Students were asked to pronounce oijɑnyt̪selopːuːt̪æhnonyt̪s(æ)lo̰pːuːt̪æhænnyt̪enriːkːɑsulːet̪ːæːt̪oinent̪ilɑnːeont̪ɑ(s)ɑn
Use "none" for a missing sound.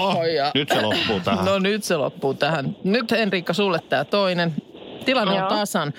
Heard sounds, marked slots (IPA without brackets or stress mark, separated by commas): e, s